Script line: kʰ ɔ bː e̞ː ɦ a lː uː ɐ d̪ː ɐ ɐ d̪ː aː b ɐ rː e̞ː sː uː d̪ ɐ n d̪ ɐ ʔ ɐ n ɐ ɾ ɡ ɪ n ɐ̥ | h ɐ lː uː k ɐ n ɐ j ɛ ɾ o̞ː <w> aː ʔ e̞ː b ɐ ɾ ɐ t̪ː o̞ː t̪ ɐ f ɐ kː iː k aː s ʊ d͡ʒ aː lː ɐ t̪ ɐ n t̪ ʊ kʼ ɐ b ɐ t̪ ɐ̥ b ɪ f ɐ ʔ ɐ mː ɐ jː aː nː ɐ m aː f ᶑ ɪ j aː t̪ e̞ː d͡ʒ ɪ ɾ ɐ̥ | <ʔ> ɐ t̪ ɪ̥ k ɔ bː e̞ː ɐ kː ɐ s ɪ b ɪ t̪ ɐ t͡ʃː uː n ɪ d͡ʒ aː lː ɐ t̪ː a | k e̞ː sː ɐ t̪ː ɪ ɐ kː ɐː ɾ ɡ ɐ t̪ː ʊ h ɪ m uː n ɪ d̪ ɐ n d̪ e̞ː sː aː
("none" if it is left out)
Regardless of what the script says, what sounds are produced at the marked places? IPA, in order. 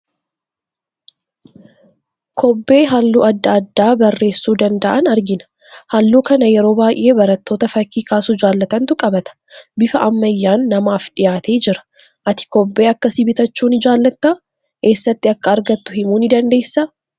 b, ʔ

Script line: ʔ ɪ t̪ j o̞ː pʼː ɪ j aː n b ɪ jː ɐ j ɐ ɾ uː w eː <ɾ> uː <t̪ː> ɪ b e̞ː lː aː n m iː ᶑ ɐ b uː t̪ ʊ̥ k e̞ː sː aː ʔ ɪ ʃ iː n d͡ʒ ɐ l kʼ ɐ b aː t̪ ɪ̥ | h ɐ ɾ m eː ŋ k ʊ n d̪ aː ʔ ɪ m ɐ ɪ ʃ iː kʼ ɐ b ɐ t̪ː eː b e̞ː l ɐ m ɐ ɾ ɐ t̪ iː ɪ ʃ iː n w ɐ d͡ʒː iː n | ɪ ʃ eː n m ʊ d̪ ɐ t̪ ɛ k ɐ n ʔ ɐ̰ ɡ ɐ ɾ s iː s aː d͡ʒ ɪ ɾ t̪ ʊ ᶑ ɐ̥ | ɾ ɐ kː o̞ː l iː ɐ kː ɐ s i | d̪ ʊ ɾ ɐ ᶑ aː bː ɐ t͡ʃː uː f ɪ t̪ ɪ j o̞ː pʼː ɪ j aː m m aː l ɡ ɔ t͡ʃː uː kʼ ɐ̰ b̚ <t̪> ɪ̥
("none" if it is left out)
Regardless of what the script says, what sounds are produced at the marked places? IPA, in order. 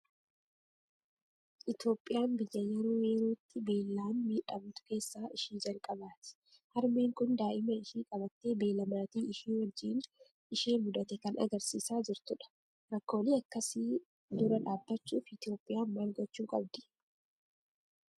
ɾ, t̪ː, d̪

